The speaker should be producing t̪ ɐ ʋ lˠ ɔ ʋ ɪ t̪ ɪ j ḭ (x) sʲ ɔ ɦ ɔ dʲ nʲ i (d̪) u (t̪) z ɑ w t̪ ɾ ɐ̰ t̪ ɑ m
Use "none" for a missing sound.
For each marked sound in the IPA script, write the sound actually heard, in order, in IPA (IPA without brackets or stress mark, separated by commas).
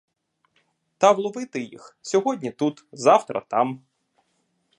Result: x, t̪, t̪